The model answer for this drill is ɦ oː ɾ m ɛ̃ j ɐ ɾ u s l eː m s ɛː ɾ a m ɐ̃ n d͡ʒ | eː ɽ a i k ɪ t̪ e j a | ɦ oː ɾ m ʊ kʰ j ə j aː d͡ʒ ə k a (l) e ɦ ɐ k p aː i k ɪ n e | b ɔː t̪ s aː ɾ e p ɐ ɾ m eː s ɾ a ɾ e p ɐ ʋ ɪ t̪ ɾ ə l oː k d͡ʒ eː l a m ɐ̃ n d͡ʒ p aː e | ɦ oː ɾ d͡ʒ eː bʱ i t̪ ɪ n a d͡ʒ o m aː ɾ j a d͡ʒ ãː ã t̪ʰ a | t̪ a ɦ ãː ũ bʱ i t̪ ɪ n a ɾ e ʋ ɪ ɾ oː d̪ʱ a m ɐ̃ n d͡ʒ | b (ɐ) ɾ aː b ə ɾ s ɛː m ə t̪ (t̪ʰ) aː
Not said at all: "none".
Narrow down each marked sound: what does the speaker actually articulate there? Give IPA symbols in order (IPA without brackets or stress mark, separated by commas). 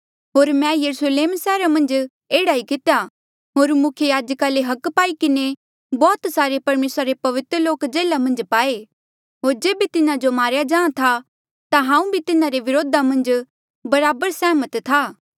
l, ɐ, t̪ʰ